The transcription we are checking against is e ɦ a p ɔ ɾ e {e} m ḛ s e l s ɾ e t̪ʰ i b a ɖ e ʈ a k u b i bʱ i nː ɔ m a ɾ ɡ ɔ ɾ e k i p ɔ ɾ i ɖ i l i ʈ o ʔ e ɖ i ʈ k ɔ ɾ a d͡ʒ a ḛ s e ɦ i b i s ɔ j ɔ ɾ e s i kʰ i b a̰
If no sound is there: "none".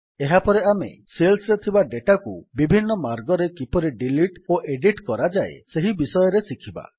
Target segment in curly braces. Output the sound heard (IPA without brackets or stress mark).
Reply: a